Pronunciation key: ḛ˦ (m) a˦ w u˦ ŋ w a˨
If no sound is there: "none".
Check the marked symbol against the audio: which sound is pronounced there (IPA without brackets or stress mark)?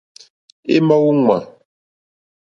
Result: m